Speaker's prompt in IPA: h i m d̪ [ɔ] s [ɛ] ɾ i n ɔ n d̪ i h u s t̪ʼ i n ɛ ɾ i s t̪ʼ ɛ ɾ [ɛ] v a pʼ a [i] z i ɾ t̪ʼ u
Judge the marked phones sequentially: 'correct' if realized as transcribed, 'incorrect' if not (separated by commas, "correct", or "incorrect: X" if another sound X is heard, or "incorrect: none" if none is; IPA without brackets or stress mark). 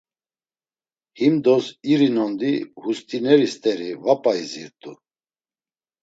correct, incorrect: i, incorrect: i, correct